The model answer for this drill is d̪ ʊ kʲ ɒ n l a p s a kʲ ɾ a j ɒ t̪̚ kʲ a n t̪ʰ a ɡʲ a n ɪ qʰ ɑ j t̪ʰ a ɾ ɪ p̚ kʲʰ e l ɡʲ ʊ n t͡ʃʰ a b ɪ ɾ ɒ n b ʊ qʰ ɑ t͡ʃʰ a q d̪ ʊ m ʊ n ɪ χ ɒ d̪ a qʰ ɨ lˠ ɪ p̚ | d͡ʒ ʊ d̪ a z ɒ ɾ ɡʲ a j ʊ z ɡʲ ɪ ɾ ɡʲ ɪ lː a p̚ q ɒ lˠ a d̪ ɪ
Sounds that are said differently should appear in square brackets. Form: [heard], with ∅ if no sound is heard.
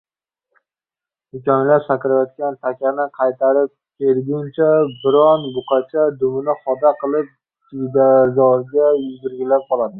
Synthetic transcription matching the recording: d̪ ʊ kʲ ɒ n l a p s a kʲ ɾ a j ɒ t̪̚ kʲ a n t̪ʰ a [kʲ] a n ɪ qʰ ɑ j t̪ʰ a ɾ ɪ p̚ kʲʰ e l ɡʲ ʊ n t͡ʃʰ a b ɪ ɾ ɒ n b ʊ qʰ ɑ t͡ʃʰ a [∅] d̪ ʊ m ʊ n ɪ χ ɒ d̪ a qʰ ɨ lˠ ɪ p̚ | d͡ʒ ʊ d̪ a z ɒ ɾ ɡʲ a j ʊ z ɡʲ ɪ ɾ ɡʲ ɪ [l] a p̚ q ɒ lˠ a d̪ ɪ